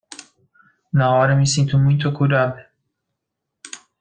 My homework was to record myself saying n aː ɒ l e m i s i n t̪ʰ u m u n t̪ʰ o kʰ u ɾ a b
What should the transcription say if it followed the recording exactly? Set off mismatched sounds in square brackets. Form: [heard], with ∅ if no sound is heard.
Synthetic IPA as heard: n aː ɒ [ɾ] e m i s i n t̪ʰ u m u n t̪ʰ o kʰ u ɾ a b